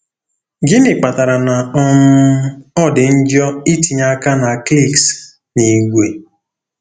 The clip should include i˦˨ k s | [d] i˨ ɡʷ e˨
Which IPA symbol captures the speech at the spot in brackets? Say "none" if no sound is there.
n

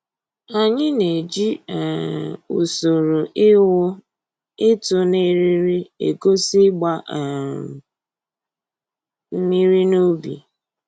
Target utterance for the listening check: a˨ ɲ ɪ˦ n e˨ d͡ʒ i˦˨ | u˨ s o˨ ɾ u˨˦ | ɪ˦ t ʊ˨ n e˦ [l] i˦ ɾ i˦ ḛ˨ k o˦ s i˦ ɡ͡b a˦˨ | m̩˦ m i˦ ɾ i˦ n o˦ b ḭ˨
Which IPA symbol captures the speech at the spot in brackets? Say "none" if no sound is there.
ɾ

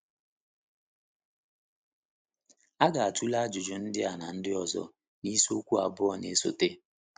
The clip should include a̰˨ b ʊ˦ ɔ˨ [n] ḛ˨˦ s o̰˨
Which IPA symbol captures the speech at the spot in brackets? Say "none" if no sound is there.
n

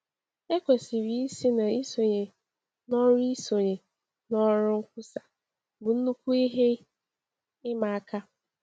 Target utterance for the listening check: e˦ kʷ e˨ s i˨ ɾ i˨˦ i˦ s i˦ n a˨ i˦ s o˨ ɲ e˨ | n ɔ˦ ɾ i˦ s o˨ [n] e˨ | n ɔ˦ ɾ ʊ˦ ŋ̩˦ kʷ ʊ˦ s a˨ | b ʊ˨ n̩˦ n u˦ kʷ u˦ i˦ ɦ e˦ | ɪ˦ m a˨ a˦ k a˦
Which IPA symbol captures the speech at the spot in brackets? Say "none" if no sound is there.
ɲ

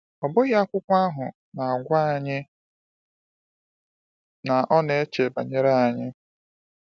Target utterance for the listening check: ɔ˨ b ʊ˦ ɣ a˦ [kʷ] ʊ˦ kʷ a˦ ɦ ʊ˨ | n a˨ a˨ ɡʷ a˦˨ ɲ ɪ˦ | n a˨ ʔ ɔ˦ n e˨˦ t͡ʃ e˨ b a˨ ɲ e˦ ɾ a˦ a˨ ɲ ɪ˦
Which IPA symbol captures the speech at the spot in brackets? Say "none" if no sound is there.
kʷ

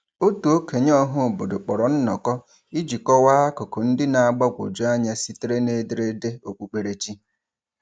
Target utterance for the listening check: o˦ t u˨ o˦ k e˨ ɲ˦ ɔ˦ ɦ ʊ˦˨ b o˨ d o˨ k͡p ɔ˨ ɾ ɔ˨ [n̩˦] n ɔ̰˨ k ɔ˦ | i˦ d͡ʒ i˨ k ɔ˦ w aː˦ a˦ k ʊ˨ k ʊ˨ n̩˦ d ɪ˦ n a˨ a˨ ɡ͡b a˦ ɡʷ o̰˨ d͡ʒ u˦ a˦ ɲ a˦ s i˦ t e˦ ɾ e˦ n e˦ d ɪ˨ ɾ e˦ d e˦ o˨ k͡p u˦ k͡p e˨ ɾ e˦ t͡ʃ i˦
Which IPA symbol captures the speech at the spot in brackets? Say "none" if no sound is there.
n̩˦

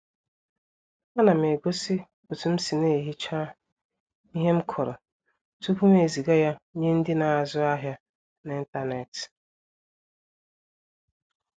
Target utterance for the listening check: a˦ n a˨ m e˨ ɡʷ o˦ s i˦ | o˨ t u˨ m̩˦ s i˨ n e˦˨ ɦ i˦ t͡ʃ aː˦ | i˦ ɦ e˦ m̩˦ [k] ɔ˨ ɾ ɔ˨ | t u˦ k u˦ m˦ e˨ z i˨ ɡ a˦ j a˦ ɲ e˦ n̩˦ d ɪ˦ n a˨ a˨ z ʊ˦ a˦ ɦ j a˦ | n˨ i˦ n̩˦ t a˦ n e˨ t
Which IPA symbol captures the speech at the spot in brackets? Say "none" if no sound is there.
kʰ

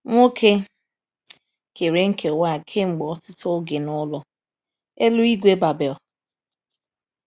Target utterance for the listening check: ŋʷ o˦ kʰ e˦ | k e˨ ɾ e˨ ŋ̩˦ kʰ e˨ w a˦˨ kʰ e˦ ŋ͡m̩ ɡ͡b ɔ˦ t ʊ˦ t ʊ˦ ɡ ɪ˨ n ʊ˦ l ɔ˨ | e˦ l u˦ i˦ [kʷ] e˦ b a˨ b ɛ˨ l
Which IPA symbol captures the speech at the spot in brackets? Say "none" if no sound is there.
ɡʷ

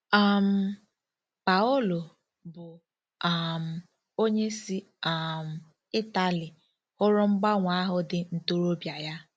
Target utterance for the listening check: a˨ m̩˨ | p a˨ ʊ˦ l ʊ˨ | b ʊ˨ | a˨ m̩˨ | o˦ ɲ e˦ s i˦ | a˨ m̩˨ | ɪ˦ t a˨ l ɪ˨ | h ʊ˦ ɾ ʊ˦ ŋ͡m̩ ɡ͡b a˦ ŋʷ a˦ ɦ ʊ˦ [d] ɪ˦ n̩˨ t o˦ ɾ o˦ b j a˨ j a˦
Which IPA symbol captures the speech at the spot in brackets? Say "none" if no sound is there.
d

